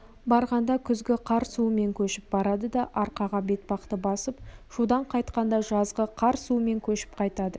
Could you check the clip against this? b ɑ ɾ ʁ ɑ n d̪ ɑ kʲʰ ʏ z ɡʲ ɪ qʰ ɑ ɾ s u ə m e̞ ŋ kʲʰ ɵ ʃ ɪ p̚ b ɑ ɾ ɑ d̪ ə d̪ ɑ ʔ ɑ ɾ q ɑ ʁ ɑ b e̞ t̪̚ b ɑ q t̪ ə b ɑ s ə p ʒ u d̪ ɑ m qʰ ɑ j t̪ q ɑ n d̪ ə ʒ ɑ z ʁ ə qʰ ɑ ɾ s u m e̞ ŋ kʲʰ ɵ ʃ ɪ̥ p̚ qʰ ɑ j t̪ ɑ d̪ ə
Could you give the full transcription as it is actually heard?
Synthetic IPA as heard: b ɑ ɾ ʁ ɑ n d̪ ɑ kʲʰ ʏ z ɡʲ ɪ qʰ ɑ ɾ s u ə m e̞ ŋ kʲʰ ɵ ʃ ɪ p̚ b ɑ ɾ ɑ d̪ ə d̪ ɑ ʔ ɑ ɾ q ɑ ʁ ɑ b e̞ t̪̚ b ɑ q t̪ ə b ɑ s ə p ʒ u d̪ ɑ ɴ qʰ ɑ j t̪ q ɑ n d̪ ɑ ʒ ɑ z ʁ ə qʰ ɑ ɾ s u m e̞ ŋ kʲʰ ɵ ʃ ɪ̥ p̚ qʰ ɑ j t̪ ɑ d̪ ə

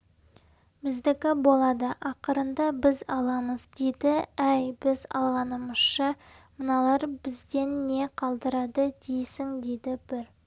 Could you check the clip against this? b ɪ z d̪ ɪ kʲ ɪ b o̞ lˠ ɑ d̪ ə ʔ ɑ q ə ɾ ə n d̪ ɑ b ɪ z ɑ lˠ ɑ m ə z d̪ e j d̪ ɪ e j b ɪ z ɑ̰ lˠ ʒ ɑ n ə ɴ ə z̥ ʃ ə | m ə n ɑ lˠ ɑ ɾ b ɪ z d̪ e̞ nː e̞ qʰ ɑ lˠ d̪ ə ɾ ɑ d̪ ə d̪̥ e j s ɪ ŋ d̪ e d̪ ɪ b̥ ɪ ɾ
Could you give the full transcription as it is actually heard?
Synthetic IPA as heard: b ɪ z d̪ ɪ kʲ ɪ b o̞ lˠ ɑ d̪ ə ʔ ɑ q ə ɾ ə n d̪ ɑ b ɪ z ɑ lˠ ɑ m ə z d̪ e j d̪ ɪ æ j b ɪ z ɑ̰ lˠ ʁ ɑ n ə m ə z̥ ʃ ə | m ə n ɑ lˠ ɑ ɾ b ɪ z d̪ e̞ nː e̞ qʰ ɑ lˠ d̪ ə ɾ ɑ d̪ ə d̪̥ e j s ɪ ŋ d̪ e d̪ ɪ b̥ ɪ ɾ

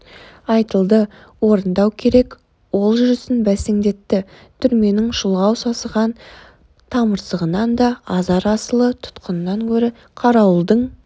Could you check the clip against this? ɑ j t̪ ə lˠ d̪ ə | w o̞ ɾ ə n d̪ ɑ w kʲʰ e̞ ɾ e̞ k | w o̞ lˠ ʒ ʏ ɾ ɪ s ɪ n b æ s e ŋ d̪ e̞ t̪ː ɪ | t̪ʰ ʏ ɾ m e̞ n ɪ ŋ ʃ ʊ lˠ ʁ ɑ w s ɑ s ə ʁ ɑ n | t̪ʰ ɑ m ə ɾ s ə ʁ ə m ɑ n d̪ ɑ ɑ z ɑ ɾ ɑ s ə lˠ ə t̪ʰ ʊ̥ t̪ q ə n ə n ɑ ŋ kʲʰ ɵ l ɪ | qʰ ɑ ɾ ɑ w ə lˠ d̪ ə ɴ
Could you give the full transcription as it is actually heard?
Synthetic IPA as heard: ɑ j t̪ ə lˠ d̪ ə | w o̞ ɾ ə n d̪ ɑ w kʲʰ e̞ ɾ e̞ k | w o̞ lˠ ʒ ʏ ɾ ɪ s ɪ n b æ s e ŋ d̪ e̞ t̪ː ɪ | t̪ʰ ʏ ɾ m e̞ n ɪ ŋ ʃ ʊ lˠ ʁ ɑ w s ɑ s ə ʁ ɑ n | t̪ʰ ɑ m ə ɾ s ə ʁ ə n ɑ n d̪ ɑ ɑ z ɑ ɾ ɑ s ə lˠ ə t̪ʰ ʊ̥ t̪ q ə n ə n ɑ ŋ kʲʰ ɵ ɾ ɪ | qʰ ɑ ɾ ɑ w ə lˠ d̪ ə ɴ

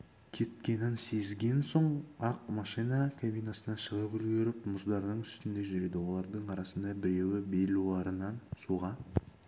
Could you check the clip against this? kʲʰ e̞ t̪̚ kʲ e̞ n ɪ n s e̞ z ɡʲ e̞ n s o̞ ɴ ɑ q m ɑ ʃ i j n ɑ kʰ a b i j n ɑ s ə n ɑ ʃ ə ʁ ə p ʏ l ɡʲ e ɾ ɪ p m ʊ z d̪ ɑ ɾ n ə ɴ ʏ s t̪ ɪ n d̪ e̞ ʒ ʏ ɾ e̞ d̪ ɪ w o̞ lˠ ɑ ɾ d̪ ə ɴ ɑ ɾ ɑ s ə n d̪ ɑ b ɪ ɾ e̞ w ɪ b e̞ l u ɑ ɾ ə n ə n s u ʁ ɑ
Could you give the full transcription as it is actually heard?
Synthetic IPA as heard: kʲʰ e̞ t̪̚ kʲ e̞ n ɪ n s e̞ z ɡʲ e̞ n s o̞ ɴ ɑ q m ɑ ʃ i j n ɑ kʰ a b i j n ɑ s ə n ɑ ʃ ə ʁ ə p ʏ l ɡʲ e ɾ ɪ p m ʊ z d̪ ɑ ɾ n ə ɴ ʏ s t̪ ɪ n d̪ e̞ ʒ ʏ ɾ e̞ d̪ ɪ w o̞ lˠ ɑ ɾ d̪ ə ɴ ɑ ɾ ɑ s ə n d̪ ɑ b ɪ ɾ e̞ w ɪ b e̞ l u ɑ ɾ ə n ɑ n s u ʁ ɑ

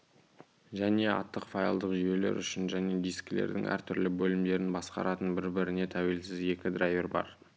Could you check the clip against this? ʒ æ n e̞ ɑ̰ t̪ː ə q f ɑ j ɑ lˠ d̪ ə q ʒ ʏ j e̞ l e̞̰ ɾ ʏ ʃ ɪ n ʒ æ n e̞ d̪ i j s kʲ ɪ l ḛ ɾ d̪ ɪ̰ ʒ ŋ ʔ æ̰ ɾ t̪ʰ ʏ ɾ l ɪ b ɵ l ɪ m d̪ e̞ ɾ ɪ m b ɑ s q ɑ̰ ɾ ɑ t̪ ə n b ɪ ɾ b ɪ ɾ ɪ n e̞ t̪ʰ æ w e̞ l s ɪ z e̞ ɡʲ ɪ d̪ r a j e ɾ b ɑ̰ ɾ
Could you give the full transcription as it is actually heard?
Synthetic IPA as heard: ʒ æ n e̞ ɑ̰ t̪ː ə q f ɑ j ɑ lˠ d̪ ə q ʒ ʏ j e̞ l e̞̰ ɾ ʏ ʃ ɪ n ʒ æ n e̞ d̪ i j s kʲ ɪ l ḛ ɾ d̪ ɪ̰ ŋ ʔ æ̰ ɾ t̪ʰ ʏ ɾ l ɪ b ɵ l ɪ m d̪ e̞ ɾ ɪ n b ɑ s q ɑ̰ ɾ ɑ t̪ ə n b ɪ ɾ b ɪ ɾ ɪ n e̞ t̪ʰ æ w e̞ l s ɪ z e̞ kʲ ɪ d̪ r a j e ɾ b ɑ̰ ɾ

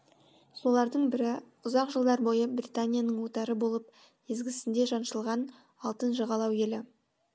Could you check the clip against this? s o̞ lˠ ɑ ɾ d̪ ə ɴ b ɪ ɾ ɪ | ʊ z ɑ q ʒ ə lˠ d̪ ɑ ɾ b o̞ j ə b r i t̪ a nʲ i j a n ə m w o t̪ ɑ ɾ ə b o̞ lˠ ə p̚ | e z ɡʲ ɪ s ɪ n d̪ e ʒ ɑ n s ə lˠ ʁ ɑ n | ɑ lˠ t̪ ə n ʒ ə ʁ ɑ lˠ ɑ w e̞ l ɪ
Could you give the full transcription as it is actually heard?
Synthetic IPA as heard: s o̞ lˠ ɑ ɾ d̪ ə ɴ b ɪ ɾ ɪ | ʊ z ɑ q ʒ ə lˠ d̪ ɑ ɾ b o̞ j ə b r i t̪ a nʲ i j a n ə ɴ w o t̪ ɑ ɾ ə b o̞ lˠ ə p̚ | e z ɡʲ ɪ s ɪ n d̪ e ʒ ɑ n ʃ ə lˠ ʁ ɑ n | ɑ lˠ t̪ ə n ʒ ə ʁ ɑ lˠ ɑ w e̞ l ɪ

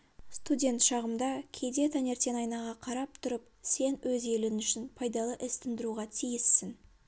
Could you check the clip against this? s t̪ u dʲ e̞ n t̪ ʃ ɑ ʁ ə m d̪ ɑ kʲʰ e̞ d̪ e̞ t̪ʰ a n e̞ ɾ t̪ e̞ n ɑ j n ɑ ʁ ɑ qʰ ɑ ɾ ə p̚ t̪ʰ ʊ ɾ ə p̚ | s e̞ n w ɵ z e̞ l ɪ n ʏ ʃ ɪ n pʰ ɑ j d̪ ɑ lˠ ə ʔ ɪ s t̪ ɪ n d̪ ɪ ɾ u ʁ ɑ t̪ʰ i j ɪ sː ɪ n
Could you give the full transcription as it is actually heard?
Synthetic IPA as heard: s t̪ u dʲ e̞ n t̪ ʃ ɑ ʁ ə m d̪ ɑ kʲʰ e̞ d̪ e̞ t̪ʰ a n e̞ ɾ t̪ e̞ n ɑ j n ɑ ʁ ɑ qʰ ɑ ɾ ɑ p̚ t̪ʰ ʊ ɾ ə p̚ | s e̞ n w ɵ z e̞ l ɪ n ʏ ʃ ɪ n pʰ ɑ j d̪ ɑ lˠ ə ʔ ɪ s t̪ ɪ n d̪ ɪ ɾ u ʁ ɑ t̪ʰ i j ɪ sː ɪ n

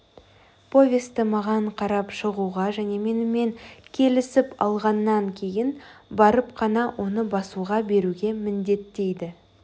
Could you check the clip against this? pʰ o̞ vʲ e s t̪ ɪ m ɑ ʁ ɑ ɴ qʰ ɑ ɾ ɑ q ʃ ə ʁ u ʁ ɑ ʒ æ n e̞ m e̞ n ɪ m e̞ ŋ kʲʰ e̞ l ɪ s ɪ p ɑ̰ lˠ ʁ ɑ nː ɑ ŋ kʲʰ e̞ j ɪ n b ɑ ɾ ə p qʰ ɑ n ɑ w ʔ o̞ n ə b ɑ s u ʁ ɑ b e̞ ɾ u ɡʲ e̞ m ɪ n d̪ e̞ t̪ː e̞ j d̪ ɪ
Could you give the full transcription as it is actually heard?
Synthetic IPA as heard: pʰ o̞ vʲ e s t̪ ɪ m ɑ ʁ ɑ ɴ qʰ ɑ ɾ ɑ p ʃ ə ʁ u ʁ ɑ ʒ æ n e̞ m e̞ n ɪ m e̞ ŋ kʲʰ e̞ l ɪ s ɪ p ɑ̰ lˠ ʁ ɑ nː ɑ ŋ kʲʰ e̞ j ɪ n b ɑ ɾ ə p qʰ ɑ n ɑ w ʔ o̞ n ə b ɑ s u ʁ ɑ b e̞ ɾ u ɡʲ e̞ m ɪ n d̪ e̞ t̪ː e̞ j d̪ ɪ

